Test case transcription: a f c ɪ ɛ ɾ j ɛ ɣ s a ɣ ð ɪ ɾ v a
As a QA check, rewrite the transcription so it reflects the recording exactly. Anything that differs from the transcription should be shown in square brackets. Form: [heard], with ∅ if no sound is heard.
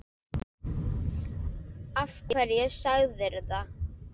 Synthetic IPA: a f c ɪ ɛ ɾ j ɛ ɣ s a ɣ ð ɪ ɾ [ð] a